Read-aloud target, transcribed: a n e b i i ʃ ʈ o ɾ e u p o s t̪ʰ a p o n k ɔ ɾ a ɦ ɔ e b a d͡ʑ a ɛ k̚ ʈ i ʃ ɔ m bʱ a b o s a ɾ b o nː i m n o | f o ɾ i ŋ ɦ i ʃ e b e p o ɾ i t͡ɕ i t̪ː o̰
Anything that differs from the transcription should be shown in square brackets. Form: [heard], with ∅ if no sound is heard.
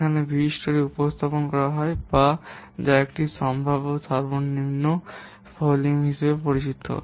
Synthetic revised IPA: a n e b i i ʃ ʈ o ɾ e u p o s t̪ʰ a p o n k ɔ ɾ a ɦ ɔ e b a d͡ʑ a [e] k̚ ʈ i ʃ ɔ m bʱ a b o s a ɾ b o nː i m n o | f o [l] i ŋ ɦ i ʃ e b e p o ɾ i t͡ɕ i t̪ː o̰

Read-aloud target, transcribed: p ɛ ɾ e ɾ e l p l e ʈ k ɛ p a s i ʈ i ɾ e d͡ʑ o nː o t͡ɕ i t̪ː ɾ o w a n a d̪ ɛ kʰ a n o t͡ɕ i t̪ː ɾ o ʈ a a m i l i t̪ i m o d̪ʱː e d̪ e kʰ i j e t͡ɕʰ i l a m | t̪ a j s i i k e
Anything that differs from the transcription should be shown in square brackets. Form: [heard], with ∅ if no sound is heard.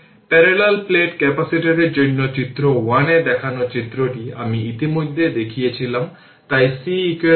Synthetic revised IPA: p ɛ ɾ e [l] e l p l e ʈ k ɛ p a s i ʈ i ɾ e d͡ʑ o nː o t͡ɕ i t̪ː ɾ o w a n [e] d̪ ɛ kʰ a n o t͡ɕ i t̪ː ɾ o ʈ [i] a m i [∅] i t̪ i m o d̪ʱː e d̪ e kʰ i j e t͡ɕʰ i l a m | t̪ a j s i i k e

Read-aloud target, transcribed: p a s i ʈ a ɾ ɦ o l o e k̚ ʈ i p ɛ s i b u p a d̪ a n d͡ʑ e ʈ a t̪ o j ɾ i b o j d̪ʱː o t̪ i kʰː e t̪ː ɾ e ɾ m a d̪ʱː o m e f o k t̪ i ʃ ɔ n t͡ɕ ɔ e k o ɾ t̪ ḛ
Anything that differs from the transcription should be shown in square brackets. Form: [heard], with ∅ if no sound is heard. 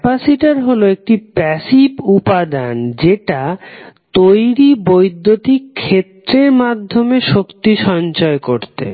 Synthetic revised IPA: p a s i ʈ a ɾ ɦ o l o e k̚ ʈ i p ɛ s i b u p a d̪ a n d͡ʑ e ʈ a t̪ o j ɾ i b o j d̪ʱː o t̪ i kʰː e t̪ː ɾ e ɾ m a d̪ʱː o m e [ʃ] o k t̪ i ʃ ɔ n t͡ɕ ɔ e k o ɾ t̪ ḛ

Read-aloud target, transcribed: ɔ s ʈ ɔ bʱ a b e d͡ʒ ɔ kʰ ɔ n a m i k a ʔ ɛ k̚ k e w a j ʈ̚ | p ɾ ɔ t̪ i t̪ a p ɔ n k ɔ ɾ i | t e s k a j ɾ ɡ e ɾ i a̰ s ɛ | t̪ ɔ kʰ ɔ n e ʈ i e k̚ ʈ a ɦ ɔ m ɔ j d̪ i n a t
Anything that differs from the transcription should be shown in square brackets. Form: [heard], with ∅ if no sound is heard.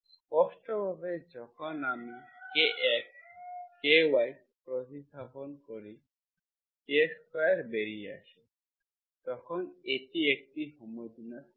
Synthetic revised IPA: ɔ s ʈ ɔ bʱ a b e d͡ʒ ɔ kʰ ɔ n a m i k [e] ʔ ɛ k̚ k e w a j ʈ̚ | p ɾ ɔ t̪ i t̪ a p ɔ n k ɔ ɾ i | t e s k a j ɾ [b] e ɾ i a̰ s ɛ | t̪ ɔ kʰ ɔ n e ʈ i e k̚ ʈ [i] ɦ ɔ m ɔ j d̪ i n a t

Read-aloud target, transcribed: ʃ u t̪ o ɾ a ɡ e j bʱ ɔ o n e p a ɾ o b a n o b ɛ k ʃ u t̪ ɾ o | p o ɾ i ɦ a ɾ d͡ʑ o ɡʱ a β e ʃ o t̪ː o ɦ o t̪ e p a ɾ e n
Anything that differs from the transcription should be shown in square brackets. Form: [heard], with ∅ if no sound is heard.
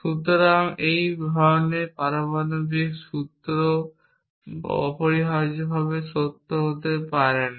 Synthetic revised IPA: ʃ u t̪ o ɾ a [ŋ] e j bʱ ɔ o n e p a ɾ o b a n o b [i] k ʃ u t̪ ɾ o | p o ɾ i ɦ a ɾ d͡ʑ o [bʱ] a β e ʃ o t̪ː o ɦ o t̪ e p a ɾ e n

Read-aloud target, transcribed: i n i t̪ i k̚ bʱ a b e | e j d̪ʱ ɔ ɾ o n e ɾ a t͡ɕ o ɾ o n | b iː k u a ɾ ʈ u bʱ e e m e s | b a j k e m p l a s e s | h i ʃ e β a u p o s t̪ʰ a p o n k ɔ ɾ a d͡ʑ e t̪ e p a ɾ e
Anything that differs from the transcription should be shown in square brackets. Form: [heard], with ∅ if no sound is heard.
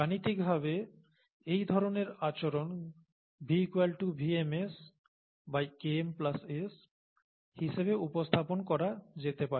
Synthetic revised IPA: [a] n i t̪ i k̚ bʱ a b e | e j d̪ʱ ɔ ɾ o n e ɾ a t͡ɕ o ɾ o n | b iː k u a [l] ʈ u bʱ [i] e m e s | b a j k e m p l a s e s | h i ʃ e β [e] u p o s t̪ʰ a p o n k ɔ ɾ a d͡ʑ e t̪ e p a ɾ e

